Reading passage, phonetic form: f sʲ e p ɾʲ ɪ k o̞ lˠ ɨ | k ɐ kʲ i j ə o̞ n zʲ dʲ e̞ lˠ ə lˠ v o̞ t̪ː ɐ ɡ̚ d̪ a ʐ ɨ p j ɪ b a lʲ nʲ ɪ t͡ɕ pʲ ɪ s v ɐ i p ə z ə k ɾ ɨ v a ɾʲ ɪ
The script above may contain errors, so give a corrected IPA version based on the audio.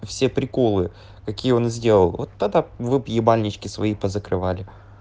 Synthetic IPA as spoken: f sʲ e p ɾʲ ɪ k o̞ lˠ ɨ | k ɐ kʲ i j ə o̞ n zʲ dʲ e̞ lˠ ə lˠ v o̞ t̪ː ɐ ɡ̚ d̪ a v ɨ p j ɪ b a lʲ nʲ ɪ t͡ɕ kʲ ɪ s v ɐ i p ə z ə k ɾ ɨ v a lʲ ɪ